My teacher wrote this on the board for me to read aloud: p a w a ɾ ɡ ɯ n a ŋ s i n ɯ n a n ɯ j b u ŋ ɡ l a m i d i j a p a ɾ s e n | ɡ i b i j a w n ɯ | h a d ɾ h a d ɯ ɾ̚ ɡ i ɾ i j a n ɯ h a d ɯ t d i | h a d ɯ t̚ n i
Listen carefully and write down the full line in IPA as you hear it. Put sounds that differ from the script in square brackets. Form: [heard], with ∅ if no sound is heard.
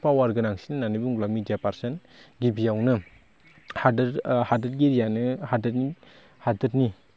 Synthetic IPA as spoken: p a w a ɾ ɡ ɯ n a ŋ s i n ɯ n a n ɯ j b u ŋ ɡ l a m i d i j a p a ɾ s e n | ɡ i b i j a w n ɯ | h a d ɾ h a d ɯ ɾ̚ ɡ i ɾ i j a n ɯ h a d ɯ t [n] i | h a d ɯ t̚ n i